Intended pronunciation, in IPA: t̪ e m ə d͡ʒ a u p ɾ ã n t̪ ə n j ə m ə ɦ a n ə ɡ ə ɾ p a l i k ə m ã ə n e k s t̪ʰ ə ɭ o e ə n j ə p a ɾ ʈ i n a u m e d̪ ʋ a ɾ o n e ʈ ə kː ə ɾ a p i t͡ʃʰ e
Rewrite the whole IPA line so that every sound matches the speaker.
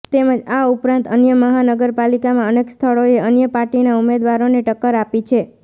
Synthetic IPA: t̪ e m ə d͡ʒ a u p ɾ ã n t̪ ə n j ə m ə ɦ a n ə ɡ ə ɾ p a l i k a m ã ə n e k s t̪ʰ ə ɭ o e ə n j ə p a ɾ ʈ i n a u m e d̪ ʋ a ɾ o n e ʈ ə kː ə ɾ a p i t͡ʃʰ e